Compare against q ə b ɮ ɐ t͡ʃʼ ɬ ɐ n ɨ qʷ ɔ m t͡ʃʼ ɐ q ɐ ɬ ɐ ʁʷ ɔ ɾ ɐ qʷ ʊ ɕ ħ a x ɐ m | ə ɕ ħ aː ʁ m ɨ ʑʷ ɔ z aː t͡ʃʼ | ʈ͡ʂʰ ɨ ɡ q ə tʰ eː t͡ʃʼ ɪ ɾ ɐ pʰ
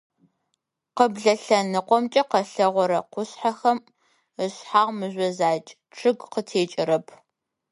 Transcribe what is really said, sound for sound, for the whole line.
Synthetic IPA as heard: q ə b ɮ ɐ ɬ ɐ n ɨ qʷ ɔ m t͡ʃʼ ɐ q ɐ ɬ ɐ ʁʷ ɔ ɾ ɐ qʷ ʊ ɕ ħ a x ɐ m | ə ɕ ħ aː ʁ m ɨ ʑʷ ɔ z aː t͡ʃʼ | ʈ͡ʂʰ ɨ ɡ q ə tʰ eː t͡ʃʼ ɪ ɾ ɐ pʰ